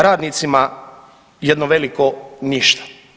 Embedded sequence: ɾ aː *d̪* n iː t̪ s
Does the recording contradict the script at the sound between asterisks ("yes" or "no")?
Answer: no